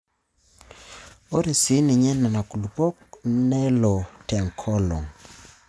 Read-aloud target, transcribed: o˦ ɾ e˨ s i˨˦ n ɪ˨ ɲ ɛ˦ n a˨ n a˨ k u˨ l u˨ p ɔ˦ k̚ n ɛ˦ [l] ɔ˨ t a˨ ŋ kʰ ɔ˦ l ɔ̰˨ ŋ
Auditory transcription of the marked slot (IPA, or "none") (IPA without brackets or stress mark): l